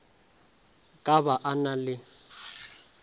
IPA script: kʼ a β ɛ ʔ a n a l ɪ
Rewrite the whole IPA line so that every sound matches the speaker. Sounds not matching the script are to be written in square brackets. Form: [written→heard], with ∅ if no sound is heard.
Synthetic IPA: kʼ a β [ɛ→a] ʔ a n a l ɪ

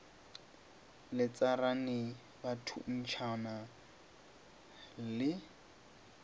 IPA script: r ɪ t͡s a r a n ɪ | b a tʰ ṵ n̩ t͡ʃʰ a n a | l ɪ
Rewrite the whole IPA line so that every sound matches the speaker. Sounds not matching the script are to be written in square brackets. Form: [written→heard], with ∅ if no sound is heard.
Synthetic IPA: [r→l] ɪ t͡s a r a n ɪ | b a tʰ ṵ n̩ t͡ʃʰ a n a | l ɪ

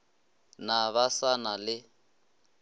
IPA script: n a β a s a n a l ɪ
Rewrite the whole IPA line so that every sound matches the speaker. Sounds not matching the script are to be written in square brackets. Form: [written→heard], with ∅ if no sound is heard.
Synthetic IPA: n a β a s a n a l ɪ

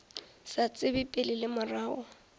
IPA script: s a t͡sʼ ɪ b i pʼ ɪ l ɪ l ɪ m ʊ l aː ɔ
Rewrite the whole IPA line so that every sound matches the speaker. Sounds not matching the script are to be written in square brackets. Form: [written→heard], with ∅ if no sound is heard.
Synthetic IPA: s a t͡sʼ ɪ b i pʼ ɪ l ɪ l ɪ m ʊ [l→r] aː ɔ

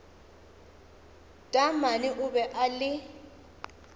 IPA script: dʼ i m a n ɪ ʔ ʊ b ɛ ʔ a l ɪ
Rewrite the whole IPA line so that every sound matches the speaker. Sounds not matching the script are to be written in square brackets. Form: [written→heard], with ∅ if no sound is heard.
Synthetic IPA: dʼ [i→a] m a n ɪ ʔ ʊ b ɛ ʔ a l ɪ

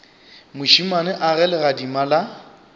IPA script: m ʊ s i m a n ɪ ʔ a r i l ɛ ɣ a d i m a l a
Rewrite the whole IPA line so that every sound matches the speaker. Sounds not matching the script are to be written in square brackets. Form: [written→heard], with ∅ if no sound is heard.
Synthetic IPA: m ʊ [s→ʃ] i m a n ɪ ʔ a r [i→ɛ] l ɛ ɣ a d i m a l a

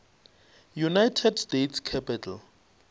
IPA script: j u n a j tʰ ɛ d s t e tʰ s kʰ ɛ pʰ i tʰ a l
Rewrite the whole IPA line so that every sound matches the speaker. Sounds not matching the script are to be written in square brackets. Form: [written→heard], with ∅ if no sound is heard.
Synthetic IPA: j u n a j tʰ ɛ d s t e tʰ s kʰ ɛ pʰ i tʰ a l

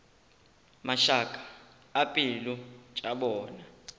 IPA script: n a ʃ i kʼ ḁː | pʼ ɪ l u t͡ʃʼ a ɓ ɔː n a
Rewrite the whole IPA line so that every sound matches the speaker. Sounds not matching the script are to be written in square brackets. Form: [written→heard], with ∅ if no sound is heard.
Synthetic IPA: [n→m] a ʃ [i→a] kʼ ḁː | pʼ [ɪ→i] l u t͡ʃʼ a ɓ ɔː n a

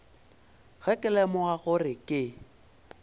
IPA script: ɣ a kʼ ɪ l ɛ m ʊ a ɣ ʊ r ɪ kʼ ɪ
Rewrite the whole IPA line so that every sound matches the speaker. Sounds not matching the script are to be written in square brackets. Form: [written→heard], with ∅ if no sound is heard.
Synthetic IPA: ɣ [a→ɛ] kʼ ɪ l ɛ m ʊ a ɣ ʊ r ɪ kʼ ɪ

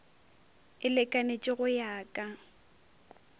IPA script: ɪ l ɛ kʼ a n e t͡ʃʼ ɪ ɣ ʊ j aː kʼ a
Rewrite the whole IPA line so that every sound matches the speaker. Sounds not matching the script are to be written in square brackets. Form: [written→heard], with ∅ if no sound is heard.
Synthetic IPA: ɪ l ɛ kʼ a n e t͡ʃʼ ɪ ɣ ʊ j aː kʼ a

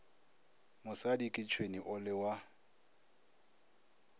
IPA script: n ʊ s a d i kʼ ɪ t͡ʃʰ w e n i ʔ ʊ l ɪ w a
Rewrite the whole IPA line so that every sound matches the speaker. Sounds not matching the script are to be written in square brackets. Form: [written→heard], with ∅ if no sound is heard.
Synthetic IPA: [n→m] ʊ s a d i kʼ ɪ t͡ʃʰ w e n i ʔ ʊ l ɪ w a

